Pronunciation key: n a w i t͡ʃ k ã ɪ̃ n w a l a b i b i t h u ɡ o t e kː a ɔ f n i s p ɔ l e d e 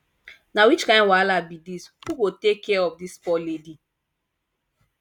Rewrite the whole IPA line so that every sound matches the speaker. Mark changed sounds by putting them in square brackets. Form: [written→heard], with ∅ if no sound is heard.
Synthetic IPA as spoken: n a w i t͡ʃ k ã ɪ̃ n w a l a b i [b→d] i [t→s] h u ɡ o t e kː [a→ɛ] ɔ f [n→d] i s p ɔ l e d [e→i]